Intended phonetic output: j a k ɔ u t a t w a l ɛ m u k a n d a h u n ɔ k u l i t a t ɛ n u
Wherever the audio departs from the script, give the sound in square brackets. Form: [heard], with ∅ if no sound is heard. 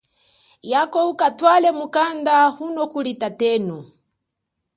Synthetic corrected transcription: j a k ɔ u [k] a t w a l ɛ m u k a n d a h u n ɔ k u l i t a t ɛ n u